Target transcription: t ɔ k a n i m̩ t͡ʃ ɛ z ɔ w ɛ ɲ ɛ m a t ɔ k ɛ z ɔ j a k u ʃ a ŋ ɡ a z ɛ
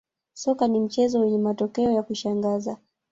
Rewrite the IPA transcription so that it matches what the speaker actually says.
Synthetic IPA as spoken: s ɔ k a n i m̩ t͡ʃ ɛ z ɔ w ɛ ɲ ɛ m a t ɔ k ɛ ɔ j a k u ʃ a ŋ ɡ a z a

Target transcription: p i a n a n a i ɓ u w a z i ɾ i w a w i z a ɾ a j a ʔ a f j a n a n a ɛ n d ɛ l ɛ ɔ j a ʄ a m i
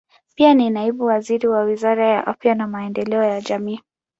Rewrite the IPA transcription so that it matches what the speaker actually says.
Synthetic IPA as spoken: p i a n i n a i ɓ u w a z i ɾ i w a w i z a ɾ a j a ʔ a f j a n a m a ɛ n d ɛ l ɛ ɔ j a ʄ a m iː

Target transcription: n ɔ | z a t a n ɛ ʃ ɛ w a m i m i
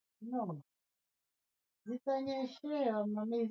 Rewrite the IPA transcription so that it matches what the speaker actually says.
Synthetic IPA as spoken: n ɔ | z i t a ɲ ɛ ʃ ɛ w a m a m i

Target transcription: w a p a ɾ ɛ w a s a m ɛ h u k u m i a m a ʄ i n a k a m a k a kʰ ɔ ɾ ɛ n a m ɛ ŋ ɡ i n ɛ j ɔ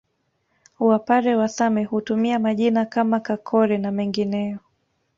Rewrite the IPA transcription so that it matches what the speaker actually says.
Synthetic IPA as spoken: w a p a ɾ ɛ w a s a m ɛ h u t u m i a m a ʄ i n a k a m a k a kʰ ɔ ɾ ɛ n a m ɛ ŋ ɡ i n ɛ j ɔ

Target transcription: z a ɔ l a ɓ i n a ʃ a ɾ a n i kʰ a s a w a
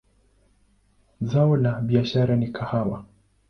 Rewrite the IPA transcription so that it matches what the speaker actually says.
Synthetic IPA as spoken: z a ɔ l a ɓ i a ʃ a ɾ a n i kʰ a h a w a

